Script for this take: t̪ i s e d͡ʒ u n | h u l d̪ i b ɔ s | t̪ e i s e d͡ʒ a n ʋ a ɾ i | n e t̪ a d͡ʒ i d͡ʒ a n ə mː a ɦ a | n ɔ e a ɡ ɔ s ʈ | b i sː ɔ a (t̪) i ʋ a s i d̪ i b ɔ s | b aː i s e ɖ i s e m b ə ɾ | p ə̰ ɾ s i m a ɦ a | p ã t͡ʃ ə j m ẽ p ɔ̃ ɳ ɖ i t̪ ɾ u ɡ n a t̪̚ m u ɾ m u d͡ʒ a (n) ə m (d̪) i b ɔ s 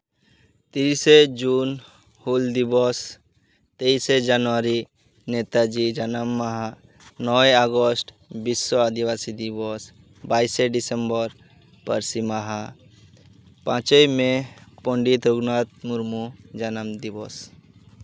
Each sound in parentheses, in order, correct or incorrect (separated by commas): incorrect, correct, correct